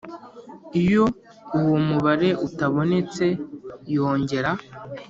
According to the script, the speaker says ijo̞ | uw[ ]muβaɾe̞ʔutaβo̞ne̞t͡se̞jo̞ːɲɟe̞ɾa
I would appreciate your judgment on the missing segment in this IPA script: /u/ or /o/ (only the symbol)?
o